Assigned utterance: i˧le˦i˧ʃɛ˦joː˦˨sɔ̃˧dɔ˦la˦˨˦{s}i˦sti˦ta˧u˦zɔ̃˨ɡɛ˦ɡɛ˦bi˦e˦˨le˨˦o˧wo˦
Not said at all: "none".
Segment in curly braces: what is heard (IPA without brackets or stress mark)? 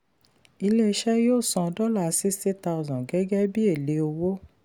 s